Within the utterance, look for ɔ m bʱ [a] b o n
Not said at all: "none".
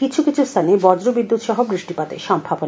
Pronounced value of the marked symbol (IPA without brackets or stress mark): a